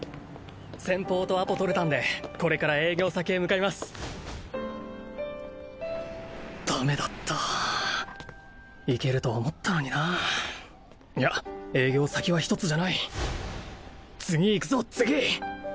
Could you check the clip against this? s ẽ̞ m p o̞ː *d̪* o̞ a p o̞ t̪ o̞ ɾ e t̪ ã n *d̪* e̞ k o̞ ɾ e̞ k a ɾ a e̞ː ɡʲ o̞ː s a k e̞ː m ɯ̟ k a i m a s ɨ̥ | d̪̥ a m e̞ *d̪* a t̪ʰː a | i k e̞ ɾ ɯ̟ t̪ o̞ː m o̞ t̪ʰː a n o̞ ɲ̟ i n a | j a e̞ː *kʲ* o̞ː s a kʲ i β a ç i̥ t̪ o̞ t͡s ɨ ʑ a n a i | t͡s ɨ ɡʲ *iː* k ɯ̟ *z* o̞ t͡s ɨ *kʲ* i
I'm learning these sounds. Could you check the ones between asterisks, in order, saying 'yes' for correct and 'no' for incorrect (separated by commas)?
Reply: no, yes, yes, no, yes, yes, no